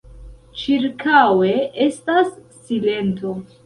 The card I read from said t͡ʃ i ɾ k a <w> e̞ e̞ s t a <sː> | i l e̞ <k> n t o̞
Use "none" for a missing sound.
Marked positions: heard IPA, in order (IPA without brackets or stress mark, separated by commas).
w, sː, none